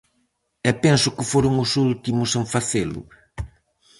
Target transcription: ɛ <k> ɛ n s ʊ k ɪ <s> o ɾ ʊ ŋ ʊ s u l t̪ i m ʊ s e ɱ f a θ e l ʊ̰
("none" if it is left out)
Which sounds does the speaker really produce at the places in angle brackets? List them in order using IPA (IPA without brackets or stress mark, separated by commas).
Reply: p, f